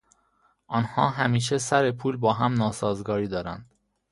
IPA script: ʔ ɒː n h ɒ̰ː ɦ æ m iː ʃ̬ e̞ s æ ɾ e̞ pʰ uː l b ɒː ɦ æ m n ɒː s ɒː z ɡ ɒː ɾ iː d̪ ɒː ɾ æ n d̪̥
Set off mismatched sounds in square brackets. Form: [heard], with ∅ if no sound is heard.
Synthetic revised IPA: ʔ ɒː n h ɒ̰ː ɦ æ m iː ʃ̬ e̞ s æ ɾ e̞ pʰ uː l b ɒː ɦ æ m n ɒː s ɒː z ɡ ɒː ɾ iː d̪ ɒː ɾ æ n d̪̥